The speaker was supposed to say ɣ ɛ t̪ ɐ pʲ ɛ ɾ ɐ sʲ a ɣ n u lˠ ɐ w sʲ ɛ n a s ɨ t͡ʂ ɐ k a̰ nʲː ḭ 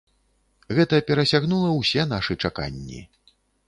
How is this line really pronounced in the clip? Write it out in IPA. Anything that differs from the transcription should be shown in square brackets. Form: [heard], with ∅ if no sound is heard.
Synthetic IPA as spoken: ɣ ɛ t̪ ɐ pʲ ɛ ɾ ɐ sʲ a ɣ n u lˠ ɐ w sʲ ɛ n a [ʂ] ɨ t͡ʂ [a] k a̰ nʲː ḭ